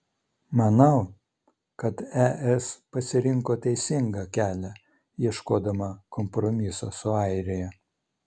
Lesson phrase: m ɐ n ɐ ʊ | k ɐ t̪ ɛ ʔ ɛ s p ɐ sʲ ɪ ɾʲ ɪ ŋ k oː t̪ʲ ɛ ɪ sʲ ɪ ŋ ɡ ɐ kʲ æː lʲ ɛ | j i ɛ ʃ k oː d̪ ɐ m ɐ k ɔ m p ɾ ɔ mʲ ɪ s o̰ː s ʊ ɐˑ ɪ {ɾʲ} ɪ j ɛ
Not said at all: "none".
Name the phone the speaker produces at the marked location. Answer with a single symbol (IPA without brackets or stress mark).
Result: ɾʲ